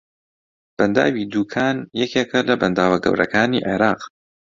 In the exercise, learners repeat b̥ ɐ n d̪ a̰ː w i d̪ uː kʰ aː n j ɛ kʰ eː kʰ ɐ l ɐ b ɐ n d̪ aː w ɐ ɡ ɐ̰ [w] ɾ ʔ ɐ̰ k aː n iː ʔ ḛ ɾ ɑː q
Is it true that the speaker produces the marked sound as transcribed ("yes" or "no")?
yes